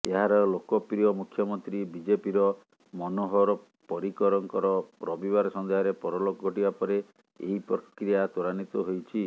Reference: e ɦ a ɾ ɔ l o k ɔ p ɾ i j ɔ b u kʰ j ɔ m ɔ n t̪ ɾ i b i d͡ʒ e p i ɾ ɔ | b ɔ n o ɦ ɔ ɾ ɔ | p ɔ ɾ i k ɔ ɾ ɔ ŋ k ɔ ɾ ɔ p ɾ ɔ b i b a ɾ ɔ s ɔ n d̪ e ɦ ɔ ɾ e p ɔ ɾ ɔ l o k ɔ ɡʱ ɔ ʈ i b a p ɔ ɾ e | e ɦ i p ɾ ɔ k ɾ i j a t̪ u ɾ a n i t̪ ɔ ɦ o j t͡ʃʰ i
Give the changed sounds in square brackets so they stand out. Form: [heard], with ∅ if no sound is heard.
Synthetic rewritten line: e ɦ a ɾ ɔ l o k ɔ p ɾ i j ɔ [m] u kʰ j ɔ m ɔ n t̪ ɾ i b i d͡ʒ e p i ɾ ɔ | [m] ɔ n o ɦ ɔ ɾ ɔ | p ɔ ɾ i k ɔ ɾ ɔ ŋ k ɔ ɾ ɔ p ɾ ɔ b i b a ɾ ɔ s ɔ n d̪ e ɦ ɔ ɾ e p ɔ ɾ ɔ l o k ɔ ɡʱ ɔ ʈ i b a p ɔ ɾ e | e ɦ i p ɾ ɔ k ɾ i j a t̪ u ɾ a n i t̪ ɔ ɦ o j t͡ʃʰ i

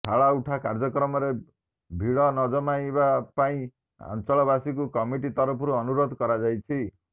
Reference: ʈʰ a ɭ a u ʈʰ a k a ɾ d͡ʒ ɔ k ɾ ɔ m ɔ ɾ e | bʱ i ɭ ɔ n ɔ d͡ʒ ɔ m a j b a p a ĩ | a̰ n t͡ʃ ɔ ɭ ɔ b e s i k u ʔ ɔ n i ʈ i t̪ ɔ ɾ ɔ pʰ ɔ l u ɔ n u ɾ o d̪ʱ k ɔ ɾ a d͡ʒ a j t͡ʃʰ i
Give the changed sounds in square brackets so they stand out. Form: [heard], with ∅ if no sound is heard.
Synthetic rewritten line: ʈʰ a ɭ a u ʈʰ a k a ɾ d͡ʒ ɔ k ɾ ɔ m ɔ ɾ e | bʱ i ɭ ɔ n ɔ d͡ʒ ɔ m a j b a p a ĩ | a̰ n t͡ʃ ɔ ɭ ɔ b [a] s i k u [k] ɔ [m] i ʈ i t̪ ɔ ɾ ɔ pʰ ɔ [ɾ] u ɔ n u ɾ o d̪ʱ k ɔ ɾ a d͡ʒ a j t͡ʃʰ i

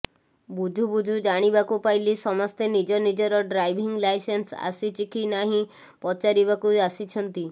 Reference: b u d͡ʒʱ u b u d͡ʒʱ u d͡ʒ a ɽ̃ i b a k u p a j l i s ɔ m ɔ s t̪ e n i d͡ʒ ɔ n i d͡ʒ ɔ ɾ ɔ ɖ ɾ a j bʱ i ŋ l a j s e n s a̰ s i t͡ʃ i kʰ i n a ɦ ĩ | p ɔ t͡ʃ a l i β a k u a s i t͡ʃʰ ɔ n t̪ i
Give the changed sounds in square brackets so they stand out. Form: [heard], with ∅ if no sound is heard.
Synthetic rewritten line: b u d͡ʒʱ u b u d͡ʒʱ u d͡ʒ a ɽ̃ i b a k u p a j l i s ɔ m ɔ s t̪ e n i d͡ʒ ɔ n i d͡ʒ ɔ ɾ ɔ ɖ ɾ a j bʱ i ŋ l a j s e n s a̰ s i t͡ʃ i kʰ i n a ɦ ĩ | p ɔ t͡ʃ a [ɾ] i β a k u a s i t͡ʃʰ ɔ n t̪ i

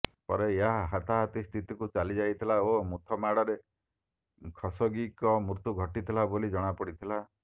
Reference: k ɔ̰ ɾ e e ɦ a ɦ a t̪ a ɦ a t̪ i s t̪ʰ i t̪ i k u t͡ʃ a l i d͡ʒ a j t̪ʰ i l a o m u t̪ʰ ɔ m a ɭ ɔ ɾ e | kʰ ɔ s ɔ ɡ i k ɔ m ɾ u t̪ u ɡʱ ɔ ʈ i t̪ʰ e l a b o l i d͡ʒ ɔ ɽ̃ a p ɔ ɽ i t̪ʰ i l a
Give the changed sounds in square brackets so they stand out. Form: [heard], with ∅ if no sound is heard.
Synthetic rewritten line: [p] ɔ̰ ɾ e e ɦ a ɦ a t̪ a ɦ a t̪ i s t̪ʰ i t̪ i k u t͡ʃ a l i d͡ʒ a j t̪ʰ i l a o m u t̪ʰ ɔ m a [ɽ] ɔ ɾ e | kʰ ɔ s ɔ ɡ i k ɔ m ɾ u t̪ u ɡʱ ɔ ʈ i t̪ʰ [i] l a b o l i d͡ʒ ɔ ɽ̃ a p ɔ ɽ i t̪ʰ i l a

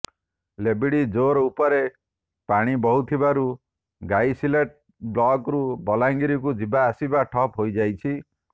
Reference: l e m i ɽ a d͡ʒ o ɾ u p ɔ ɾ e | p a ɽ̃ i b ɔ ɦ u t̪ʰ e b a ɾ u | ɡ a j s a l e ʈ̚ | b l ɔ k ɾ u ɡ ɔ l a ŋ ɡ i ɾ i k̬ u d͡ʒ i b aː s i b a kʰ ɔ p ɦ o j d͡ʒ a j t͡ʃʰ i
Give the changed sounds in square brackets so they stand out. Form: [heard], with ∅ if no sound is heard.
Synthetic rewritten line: l e [b] i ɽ [i] d͡ʒ o ɾ u p ɔ ɾ e | p a ɽ̃ i b ɔ ɦ u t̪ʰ [i] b a ɾ u | ɡ a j s [i] l e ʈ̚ | b l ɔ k ɾ u [b] ɔ l a ŋ ɡ i ɾ i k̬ u d͡ʒ i b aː s i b a [ʈʰ] ɔ p ɦ o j d͡ʒ a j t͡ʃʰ i

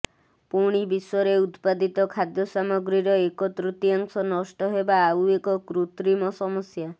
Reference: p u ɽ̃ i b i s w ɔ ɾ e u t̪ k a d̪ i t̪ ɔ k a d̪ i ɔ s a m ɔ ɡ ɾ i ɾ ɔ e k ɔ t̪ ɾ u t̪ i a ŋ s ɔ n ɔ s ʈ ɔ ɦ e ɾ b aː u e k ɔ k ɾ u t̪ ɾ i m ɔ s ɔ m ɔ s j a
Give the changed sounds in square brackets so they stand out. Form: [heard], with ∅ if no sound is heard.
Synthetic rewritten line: p u ɽ̃ i b i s w ɔ ɾ e u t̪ [p] a d̪ i t̪ ɔ [kʰ] a d̪ [j] ɔ s a m ɔ ɡ ɾ i ɾ ɔ e k ɔ t̪ ɾ u t̪ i a ŋ s ɔ n ɔ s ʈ ɔ ɦ e [∅] b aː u e k ɔ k ɾ u t̪ ɾ i m ɔ s ɔ m ɔ s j a

